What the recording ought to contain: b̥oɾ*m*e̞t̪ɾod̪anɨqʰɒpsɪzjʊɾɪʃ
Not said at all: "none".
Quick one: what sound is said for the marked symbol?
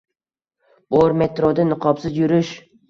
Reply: m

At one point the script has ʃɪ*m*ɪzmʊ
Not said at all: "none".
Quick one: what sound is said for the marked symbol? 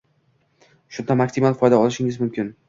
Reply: ŋ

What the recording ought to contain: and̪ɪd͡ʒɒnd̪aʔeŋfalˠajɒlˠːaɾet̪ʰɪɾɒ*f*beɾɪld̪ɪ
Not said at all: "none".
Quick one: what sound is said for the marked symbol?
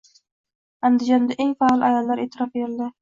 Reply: f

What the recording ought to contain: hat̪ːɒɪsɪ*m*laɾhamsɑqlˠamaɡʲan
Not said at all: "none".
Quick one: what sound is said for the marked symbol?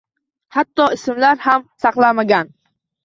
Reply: m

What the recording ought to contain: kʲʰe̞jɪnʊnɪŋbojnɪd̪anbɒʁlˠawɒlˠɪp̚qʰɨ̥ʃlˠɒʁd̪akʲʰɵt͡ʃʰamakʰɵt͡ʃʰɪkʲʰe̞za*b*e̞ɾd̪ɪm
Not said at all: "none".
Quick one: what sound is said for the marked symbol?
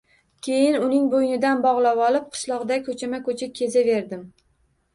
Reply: v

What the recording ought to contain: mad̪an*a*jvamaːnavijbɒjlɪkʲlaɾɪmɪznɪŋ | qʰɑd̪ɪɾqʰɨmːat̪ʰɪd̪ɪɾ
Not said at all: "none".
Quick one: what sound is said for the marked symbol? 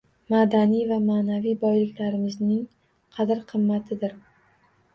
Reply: i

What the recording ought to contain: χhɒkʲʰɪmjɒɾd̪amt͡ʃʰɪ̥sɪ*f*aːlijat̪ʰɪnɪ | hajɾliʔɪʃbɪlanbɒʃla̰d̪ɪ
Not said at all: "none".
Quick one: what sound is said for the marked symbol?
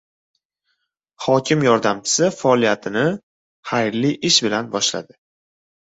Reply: f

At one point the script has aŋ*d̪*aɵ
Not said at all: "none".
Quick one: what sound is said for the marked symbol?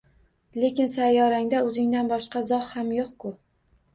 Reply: d̪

